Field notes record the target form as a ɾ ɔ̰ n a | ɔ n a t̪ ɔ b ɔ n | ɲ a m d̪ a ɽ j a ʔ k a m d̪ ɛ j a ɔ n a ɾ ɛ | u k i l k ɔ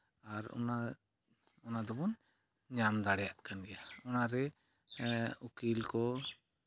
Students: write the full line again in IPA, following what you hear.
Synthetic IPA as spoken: a ɾ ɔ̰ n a | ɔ n a d̪ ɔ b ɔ n | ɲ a m d̪ a ɽ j a ʔ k a n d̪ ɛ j a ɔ n a ɾ ɛ | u k i l k ɔ